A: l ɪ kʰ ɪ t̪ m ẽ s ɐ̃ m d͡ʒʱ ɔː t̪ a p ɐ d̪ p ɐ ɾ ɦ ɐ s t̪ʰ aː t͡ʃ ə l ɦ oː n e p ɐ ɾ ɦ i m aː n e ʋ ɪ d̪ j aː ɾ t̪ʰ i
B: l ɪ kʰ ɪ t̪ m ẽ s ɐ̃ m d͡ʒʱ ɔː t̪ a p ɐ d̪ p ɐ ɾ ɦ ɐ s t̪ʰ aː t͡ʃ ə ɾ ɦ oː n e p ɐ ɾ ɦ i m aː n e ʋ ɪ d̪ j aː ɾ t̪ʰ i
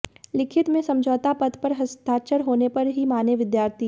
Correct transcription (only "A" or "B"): B